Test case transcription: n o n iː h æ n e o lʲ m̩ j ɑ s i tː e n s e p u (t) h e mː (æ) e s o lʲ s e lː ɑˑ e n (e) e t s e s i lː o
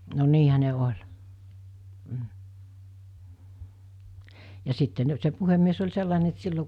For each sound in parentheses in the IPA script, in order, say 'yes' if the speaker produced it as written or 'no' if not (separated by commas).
no, no, yes